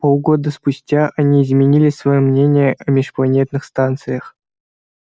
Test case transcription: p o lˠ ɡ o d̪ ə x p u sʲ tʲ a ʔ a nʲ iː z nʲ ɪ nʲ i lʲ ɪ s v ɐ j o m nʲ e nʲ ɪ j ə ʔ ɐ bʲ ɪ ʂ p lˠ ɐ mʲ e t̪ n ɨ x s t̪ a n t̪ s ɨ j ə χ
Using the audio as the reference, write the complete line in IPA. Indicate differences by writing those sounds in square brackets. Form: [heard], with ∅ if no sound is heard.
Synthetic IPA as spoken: p o lˠ ɡ o d̪ ə [s] p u sʲ tʲ a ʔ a nʲ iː z [mʲ] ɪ nʲ i lʲ ɪ s v ɐ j o m nʲ e nʲ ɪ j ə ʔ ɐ [mʲ] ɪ ʂ p lˠ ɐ [nʲ] e t̪ n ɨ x s t̪ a n t̪ s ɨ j ə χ